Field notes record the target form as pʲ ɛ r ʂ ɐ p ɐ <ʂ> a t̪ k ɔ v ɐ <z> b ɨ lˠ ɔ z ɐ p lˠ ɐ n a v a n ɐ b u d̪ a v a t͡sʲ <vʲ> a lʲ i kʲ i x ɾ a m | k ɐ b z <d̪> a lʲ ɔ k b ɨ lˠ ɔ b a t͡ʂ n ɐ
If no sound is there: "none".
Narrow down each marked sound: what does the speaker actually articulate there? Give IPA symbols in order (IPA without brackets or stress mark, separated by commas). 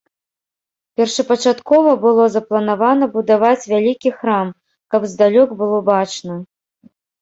t͡ʂ, none, vʲ, d̪